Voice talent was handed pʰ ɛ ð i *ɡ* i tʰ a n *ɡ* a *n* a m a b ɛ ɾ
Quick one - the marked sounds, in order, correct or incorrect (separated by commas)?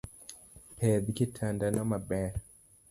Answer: incorrect, incorrect, correct